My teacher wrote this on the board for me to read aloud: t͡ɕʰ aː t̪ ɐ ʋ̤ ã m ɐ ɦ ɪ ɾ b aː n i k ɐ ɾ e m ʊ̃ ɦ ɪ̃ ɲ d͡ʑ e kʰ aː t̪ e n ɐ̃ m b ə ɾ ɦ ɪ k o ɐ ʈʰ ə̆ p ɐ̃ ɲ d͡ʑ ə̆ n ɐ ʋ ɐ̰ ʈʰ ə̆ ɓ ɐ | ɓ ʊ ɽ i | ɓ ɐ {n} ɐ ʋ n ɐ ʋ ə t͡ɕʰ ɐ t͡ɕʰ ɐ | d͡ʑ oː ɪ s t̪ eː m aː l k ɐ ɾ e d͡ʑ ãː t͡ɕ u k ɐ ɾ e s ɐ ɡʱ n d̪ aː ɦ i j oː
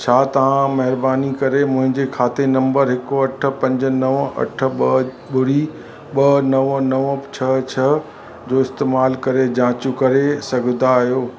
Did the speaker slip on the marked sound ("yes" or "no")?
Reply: no